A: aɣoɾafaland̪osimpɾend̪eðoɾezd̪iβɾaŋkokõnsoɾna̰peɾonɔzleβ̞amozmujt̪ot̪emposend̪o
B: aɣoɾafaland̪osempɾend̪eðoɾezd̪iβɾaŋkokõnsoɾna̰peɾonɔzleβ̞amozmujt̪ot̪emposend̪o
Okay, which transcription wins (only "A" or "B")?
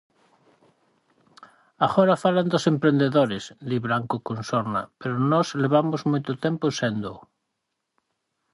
B